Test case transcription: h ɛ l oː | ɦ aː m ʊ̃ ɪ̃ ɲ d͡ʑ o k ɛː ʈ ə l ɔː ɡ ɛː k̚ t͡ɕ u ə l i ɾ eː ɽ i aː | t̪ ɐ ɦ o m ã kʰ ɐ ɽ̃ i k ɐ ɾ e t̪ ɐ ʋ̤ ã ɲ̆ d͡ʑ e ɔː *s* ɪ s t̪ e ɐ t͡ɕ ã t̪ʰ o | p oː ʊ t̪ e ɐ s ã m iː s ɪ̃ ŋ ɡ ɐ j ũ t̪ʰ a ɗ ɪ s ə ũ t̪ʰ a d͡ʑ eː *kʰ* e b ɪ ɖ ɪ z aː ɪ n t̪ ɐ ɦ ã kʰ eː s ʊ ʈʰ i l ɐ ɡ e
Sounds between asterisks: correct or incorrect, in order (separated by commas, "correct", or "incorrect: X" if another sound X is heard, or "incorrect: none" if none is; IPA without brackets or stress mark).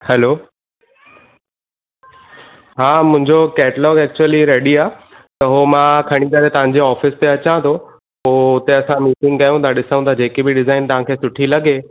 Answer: incorrect: f, incorrect: k